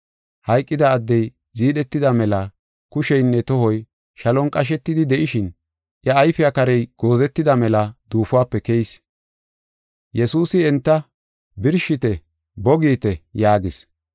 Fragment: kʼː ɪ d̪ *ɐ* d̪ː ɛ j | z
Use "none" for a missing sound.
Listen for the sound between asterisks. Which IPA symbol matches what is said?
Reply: ɐː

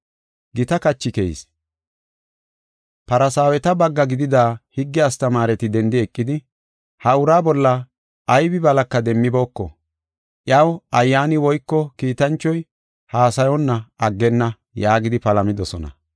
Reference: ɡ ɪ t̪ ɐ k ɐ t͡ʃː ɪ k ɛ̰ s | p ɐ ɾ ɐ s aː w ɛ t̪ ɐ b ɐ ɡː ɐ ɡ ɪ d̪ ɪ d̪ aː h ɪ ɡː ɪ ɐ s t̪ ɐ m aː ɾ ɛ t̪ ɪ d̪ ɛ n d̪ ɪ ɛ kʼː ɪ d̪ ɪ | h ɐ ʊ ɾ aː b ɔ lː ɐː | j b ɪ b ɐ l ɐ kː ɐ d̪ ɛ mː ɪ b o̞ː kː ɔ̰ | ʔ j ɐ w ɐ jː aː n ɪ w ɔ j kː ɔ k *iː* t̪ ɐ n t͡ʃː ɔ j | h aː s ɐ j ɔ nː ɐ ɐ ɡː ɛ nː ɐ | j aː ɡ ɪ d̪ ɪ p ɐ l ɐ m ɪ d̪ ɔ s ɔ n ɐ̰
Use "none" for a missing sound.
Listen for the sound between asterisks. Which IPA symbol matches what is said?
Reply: iː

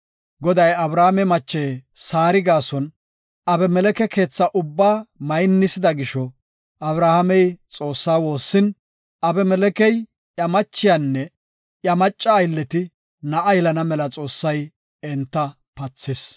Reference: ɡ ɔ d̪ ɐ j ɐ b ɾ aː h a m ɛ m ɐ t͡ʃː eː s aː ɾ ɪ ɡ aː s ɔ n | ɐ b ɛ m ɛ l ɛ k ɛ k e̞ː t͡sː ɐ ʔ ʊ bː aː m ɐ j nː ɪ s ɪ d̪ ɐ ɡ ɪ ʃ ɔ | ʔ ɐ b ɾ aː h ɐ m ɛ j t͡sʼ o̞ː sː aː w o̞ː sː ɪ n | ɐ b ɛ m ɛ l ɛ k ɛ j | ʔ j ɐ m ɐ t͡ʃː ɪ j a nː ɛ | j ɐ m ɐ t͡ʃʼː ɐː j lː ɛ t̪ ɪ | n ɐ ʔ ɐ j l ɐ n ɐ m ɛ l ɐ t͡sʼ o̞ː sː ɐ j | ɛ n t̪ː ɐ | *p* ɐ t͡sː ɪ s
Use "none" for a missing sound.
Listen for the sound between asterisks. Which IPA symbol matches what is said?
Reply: p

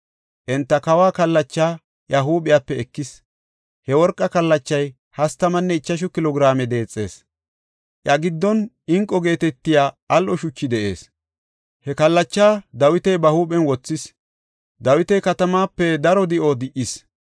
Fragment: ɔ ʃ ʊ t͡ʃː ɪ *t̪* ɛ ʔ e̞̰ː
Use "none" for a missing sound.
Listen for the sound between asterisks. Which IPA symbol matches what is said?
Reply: d̪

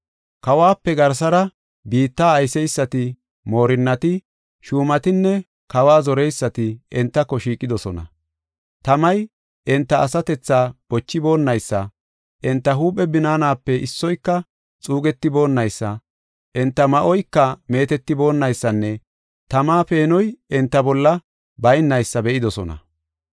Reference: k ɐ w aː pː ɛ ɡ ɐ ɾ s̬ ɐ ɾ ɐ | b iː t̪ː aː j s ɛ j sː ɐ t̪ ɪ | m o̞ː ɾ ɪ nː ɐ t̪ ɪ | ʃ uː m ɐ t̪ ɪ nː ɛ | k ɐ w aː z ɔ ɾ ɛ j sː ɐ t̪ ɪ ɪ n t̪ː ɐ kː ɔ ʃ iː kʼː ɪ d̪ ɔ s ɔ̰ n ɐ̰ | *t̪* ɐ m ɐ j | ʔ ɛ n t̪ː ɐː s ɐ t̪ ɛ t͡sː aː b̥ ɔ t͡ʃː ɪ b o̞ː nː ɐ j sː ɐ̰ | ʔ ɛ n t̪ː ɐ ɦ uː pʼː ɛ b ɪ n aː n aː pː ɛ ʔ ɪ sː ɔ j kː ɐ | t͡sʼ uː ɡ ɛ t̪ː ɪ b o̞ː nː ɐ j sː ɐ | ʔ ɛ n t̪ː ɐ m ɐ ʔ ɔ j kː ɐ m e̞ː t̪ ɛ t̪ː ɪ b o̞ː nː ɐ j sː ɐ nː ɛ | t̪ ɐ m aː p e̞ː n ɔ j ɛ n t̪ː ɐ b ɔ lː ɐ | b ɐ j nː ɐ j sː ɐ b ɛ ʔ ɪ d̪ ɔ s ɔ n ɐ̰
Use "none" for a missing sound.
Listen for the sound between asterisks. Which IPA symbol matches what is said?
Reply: t̪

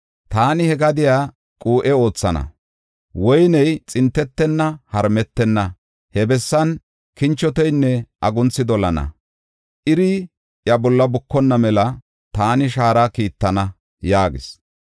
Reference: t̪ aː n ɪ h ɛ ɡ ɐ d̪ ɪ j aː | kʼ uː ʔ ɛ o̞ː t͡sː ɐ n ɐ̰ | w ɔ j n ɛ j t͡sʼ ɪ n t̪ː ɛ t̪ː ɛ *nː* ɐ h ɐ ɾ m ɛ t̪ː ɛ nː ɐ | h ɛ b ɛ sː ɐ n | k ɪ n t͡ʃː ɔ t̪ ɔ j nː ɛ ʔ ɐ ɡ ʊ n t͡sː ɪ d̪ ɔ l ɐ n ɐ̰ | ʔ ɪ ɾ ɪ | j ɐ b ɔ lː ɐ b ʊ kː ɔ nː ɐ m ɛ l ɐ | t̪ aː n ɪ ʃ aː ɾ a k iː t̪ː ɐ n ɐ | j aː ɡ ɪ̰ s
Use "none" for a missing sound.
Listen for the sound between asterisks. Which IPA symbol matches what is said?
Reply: nː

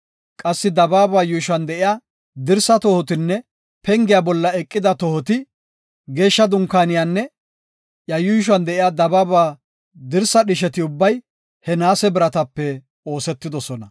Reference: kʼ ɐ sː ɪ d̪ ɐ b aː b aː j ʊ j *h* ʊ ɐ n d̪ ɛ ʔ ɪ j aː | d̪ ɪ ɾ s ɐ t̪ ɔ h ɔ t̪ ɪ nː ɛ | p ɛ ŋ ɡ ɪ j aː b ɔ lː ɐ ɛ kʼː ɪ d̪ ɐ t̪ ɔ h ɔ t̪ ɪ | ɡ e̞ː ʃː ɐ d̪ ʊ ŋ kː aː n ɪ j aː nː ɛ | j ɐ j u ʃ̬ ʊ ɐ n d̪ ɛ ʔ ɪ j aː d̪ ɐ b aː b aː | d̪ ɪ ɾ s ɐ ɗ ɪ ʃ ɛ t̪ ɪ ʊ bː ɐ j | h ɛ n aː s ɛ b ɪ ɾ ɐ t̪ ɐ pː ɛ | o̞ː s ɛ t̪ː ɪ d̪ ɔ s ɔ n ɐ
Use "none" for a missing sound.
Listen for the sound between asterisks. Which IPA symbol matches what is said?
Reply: ʃ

